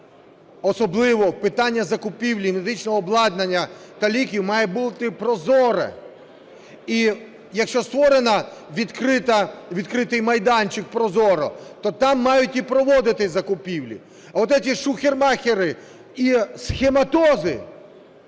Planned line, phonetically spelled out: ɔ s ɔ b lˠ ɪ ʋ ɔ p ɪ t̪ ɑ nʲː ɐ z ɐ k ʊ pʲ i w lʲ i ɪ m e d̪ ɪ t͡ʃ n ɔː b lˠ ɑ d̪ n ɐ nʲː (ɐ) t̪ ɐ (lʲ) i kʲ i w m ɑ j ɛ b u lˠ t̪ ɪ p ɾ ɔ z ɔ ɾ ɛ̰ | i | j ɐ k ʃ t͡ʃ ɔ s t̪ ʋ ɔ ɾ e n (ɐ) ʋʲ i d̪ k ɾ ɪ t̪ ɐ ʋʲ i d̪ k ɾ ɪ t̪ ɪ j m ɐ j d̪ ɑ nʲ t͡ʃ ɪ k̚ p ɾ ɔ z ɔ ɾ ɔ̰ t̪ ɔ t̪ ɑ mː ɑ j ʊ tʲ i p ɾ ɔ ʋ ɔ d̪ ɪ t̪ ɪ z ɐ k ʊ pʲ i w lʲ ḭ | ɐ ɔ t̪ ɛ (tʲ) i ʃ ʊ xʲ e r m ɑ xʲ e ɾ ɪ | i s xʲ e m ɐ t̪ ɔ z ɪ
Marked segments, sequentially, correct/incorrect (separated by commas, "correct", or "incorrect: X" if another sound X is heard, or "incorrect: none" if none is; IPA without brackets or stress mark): correct, correct, correct, correct